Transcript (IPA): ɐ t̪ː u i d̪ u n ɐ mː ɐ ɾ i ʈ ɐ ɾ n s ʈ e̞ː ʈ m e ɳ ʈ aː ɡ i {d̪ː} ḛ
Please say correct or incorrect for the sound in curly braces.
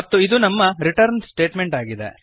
incorrect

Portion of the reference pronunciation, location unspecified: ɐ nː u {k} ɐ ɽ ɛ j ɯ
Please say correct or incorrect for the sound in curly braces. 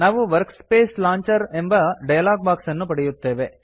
incorrect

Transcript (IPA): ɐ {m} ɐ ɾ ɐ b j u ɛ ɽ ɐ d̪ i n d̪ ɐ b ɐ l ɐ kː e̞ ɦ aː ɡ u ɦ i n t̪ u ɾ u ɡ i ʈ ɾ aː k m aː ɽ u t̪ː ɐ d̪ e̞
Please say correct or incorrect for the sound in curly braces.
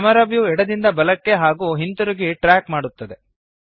correct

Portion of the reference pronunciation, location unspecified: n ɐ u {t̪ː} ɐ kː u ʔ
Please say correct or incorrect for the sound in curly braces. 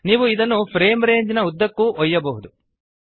incorrect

